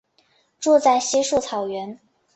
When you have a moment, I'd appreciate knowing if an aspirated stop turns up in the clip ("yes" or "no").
yes